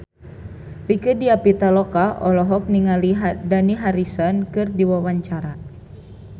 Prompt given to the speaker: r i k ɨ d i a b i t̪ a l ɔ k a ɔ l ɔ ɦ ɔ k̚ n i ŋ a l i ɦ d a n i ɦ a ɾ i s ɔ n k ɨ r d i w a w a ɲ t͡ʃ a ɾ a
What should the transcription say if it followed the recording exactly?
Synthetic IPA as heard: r i k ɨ d i a p i t̪ a l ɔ k a ɔ l ɔ ɦ ɔ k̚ n i ŋ a l i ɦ d a n i ɦ a ɾ i s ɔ n k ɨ r d i w a w a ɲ t͡ʃ a ɾ a